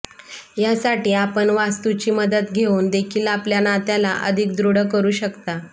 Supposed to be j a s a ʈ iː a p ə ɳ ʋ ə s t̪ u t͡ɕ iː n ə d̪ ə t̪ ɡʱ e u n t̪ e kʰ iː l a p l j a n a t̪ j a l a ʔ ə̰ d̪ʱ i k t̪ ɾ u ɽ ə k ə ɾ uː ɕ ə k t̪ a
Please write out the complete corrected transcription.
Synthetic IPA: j a s a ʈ iː a p ə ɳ ʋ a s t̪ u t͡ɕ iː m ə d̪ ə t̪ ɡʱ e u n d̪ e kʰ iː l a p l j a n a t̪ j a l a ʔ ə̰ d̪ʱ i k d̪ ɾ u ɽ ə k ə ɾ uː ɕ ə k t̪ a

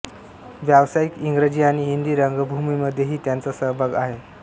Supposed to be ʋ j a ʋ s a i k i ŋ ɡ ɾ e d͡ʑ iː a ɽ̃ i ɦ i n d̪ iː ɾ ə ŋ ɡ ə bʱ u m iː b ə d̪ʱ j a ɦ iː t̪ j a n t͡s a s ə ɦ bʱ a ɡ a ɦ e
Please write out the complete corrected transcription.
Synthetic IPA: ʋ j a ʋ s a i k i ŋ ɡ ɾ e d͡ʑ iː a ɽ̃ i ɦ i n d̪ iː ɾ ə ŋ ɡ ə bʱ u m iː m ə d̪ʱ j e ɦ iː t̪ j a n t͡s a s ə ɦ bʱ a ɡ a ɦ e

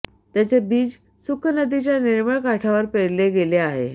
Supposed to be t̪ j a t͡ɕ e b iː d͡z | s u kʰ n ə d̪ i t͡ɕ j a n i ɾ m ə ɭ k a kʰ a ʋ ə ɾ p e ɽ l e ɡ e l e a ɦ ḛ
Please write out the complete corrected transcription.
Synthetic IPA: t̪ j a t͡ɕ e b iː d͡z | s u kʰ n ə d̪ i t͡ɕ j a n i ɾ m ə ɭ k a ʈʰ a ʋ ə ɾ p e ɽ l e ɡ e l e a ɦ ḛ

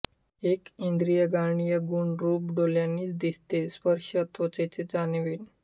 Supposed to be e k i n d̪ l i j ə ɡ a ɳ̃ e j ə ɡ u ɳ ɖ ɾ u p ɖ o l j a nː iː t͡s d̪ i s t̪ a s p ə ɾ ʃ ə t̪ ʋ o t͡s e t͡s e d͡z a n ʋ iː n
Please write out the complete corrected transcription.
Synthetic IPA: e k i n d̪ ɾ i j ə ɡ a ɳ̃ i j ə ɡ u ɳ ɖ ɾ u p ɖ o l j a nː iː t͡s d̪ i s t̪ e s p ə ɾ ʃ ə t̪ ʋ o t͡s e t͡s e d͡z a n ʋ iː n

